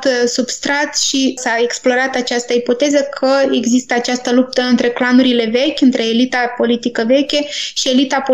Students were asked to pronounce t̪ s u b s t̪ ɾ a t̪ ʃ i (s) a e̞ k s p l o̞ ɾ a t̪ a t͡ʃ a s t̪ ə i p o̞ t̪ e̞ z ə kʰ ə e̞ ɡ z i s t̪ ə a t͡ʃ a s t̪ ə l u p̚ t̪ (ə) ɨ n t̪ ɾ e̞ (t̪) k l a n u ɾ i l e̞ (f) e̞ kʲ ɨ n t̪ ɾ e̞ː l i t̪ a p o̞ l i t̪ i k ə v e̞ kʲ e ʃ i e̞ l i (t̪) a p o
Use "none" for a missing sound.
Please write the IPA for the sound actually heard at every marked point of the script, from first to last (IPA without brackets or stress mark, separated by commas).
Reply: s, ə, none, v, t̪